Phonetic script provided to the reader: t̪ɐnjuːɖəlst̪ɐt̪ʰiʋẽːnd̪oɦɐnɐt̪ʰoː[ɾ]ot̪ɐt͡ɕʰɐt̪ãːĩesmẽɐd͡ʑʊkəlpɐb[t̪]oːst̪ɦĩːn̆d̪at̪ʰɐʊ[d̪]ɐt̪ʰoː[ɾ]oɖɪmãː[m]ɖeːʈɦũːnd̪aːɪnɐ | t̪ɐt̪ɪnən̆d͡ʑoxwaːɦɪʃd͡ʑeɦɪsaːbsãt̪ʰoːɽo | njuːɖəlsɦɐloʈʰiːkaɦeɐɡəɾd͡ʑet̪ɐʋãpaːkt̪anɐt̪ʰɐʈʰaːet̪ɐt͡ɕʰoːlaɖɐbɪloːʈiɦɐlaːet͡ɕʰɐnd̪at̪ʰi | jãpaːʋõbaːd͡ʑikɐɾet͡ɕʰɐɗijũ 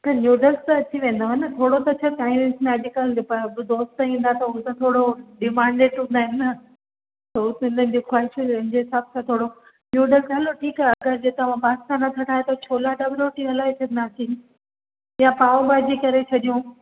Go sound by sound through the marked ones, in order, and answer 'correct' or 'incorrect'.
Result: incorrect: ɽ, incorrect: d̪, incorrect: t̪, incorrect: ɽ, incorrect: ɳ

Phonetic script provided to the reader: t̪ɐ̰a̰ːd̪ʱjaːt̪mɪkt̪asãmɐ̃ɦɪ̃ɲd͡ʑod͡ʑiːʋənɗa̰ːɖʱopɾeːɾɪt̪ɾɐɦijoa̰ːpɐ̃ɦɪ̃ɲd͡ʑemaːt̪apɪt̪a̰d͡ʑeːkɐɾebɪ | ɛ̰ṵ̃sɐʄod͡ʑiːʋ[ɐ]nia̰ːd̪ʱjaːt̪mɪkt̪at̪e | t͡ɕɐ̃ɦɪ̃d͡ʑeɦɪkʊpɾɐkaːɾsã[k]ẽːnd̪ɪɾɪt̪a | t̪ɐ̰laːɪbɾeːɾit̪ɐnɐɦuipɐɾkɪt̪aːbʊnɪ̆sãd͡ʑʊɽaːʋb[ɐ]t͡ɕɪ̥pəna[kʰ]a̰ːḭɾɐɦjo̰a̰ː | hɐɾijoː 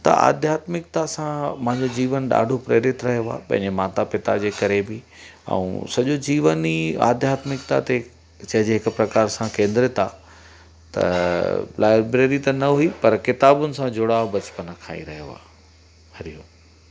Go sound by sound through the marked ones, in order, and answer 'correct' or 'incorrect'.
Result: incorrect: ə, correct, correct, correct

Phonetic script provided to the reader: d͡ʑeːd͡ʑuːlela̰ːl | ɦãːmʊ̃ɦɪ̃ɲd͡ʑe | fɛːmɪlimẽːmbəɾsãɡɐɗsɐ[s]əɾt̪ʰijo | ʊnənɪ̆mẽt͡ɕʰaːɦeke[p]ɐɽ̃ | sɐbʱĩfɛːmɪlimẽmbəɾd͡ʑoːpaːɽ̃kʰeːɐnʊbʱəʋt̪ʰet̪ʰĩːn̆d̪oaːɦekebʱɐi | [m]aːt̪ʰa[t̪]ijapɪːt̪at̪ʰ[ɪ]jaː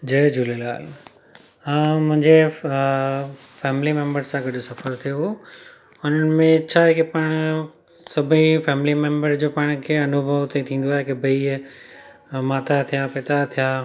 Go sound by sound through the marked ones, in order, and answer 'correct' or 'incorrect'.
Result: incorrect: f, correct, correct, incorrect: t̪ʰ, incorrect: i

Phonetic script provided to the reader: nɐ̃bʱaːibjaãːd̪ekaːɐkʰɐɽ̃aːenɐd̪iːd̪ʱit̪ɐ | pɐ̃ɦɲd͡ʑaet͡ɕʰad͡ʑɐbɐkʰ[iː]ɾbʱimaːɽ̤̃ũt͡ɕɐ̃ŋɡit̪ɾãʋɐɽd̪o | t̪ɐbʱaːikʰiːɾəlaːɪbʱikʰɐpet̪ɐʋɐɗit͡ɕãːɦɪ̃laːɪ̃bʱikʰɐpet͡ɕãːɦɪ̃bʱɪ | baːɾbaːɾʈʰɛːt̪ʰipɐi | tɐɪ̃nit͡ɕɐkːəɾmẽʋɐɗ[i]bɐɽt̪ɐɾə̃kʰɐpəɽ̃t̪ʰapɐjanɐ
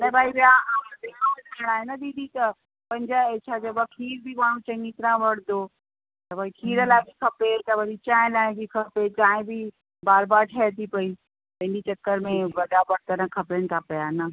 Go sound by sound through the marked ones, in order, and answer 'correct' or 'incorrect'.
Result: correct, incorrect: a

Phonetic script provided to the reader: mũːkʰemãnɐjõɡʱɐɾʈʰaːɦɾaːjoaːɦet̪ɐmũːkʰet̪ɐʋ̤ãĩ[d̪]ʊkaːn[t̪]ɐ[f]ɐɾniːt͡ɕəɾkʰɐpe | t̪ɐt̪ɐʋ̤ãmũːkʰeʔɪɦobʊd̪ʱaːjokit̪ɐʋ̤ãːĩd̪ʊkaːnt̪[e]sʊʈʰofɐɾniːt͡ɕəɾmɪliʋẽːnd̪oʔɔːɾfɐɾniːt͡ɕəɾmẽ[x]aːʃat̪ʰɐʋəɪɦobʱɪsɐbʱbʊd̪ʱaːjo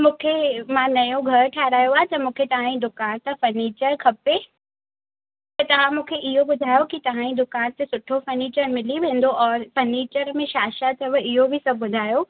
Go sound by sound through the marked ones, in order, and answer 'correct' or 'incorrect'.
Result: correct, correct, correct, correct, incorrect: ʃ

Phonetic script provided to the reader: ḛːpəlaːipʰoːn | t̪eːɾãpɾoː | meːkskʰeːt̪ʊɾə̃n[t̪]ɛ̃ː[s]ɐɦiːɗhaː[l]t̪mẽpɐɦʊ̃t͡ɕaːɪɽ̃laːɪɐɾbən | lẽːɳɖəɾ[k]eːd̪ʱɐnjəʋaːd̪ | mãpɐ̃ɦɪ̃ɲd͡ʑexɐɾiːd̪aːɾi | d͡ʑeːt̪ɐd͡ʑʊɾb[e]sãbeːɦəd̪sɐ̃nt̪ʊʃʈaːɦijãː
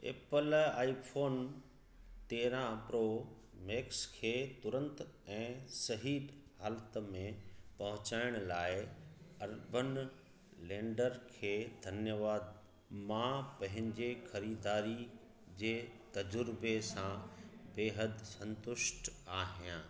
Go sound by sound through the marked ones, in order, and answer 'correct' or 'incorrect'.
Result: correct, correct, correct, incorrect: kʰ, correct

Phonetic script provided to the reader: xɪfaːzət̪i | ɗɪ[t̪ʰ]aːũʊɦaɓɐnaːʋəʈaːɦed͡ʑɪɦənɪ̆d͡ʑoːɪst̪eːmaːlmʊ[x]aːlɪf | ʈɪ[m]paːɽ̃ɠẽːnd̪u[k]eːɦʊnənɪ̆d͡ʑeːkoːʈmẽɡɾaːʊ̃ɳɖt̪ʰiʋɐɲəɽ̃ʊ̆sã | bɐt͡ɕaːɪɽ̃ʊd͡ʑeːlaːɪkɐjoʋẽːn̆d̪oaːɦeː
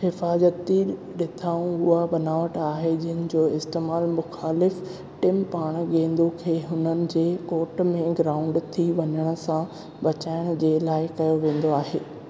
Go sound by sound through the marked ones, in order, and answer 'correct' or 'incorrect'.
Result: correct, correct, correct, incorrect: kʰ

